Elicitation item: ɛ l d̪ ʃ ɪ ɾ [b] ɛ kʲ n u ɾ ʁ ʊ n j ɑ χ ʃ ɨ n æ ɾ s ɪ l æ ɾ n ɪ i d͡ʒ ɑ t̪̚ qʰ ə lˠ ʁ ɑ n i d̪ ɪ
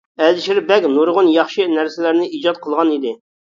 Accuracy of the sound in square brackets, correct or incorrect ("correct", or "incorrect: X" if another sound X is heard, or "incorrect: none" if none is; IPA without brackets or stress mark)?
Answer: correct